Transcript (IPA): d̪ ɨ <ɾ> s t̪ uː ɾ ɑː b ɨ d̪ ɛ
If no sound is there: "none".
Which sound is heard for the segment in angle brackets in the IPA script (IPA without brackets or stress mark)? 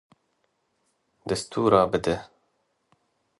none